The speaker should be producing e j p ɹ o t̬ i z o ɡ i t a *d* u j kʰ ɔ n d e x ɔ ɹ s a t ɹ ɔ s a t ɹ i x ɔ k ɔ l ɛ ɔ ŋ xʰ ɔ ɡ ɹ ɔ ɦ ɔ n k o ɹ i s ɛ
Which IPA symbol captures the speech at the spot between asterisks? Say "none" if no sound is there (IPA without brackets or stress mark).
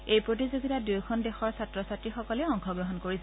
d